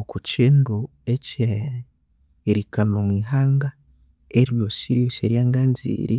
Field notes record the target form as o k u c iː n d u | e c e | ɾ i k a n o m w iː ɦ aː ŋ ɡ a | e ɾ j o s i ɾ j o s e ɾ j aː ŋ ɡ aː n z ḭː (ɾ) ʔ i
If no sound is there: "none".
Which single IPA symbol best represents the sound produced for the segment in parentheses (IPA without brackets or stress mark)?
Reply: ɾ